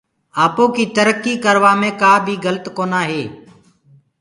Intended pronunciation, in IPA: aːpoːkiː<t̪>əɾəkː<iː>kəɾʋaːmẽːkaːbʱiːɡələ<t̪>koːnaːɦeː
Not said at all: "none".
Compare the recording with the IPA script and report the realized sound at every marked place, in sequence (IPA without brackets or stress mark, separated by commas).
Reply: t̪, iː, t̪